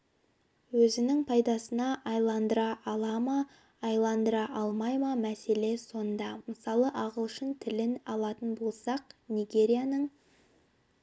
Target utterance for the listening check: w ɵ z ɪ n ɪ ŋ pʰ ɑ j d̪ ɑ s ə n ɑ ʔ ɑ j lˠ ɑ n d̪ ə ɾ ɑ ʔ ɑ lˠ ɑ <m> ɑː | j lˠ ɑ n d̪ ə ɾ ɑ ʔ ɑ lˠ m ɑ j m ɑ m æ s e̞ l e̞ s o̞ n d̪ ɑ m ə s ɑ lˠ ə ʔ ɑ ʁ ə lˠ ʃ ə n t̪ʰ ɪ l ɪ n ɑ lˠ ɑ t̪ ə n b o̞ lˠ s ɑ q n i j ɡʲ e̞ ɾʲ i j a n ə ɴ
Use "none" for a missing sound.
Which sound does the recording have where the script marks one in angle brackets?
m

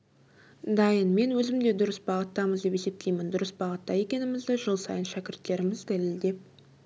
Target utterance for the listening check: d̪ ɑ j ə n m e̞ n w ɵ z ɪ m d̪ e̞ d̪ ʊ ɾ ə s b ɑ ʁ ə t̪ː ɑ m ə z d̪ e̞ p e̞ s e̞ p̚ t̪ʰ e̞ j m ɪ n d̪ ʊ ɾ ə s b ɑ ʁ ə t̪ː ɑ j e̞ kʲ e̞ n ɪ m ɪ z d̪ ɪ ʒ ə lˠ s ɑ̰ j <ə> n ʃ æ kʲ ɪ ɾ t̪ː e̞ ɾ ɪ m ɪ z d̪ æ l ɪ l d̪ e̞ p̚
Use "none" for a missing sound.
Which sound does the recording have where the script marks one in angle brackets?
ə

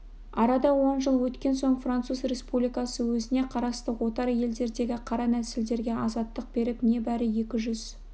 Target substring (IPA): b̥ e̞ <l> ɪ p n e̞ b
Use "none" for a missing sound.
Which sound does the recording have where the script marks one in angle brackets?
ɾ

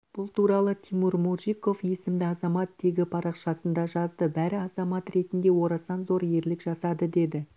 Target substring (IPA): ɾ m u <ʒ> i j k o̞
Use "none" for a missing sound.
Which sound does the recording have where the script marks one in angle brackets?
ʒ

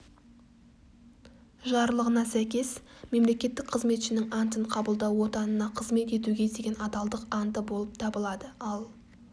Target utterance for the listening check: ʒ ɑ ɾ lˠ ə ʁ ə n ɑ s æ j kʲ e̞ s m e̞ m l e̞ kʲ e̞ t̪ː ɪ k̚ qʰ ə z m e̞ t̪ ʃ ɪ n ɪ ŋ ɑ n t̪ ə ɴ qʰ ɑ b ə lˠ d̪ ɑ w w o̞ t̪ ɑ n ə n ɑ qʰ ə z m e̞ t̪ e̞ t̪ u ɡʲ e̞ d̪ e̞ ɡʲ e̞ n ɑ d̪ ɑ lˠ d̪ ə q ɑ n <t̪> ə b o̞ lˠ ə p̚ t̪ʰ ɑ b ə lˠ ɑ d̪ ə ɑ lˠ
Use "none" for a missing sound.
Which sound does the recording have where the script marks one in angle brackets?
t̪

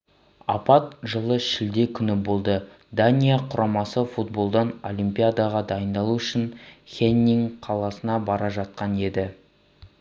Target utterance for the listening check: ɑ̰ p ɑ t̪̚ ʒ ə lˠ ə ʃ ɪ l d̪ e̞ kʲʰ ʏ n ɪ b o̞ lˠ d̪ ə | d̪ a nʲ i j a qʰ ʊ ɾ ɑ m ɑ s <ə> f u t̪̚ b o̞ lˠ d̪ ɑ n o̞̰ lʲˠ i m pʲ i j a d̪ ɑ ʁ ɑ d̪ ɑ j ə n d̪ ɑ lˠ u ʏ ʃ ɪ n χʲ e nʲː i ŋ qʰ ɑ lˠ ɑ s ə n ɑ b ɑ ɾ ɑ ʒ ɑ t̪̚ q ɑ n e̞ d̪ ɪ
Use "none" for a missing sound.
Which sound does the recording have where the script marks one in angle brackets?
ə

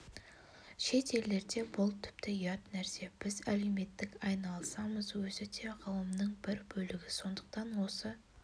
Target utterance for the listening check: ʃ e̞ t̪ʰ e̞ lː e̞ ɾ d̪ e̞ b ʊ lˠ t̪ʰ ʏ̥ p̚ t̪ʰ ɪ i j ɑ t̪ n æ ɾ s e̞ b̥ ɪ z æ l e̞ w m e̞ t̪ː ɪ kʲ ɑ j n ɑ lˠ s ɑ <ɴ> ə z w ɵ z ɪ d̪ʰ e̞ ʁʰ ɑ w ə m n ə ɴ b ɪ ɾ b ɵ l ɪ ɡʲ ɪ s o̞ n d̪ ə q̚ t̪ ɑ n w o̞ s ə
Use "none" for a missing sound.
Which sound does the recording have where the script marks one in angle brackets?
m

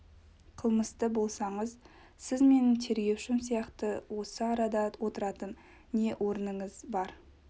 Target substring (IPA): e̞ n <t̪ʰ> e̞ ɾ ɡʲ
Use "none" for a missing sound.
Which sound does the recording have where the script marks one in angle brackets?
t̪ʰ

